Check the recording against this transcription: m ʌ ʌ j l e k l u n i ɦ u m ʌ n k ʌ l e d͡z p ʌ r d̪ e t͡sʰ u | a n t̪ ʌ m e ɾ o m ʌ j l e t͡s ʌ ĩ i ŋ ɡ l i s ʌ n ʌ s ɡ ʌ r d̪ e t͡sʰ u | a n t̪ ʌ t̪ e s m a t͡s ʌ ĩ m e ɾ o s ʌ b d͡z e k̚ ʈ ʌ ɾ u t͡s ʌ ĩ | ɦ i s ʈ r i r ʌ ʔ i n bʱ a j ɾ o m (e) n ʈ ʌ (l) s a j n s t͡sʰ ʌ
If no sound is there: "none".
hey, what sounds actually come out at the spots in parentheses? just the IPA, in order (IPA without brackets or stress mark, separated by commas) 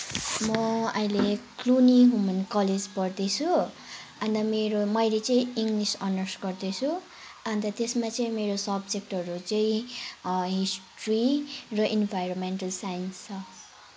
e, l